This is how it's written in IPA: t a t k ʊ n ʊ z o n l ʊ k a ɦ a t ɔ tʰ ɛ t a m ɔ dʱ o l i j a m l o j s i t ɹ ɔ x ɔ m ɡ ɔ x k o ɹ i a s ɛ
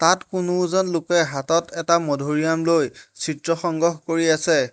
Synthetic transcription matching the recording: t a t k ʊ n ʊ z ɔ n l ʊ k ɛ ɦ a t ɔ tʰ ɛ t a m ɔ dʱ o ɹ i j a m l o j s i t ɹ ɔ x ɔ ŋ ɡ ɔ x k o ɹ i a s ɛ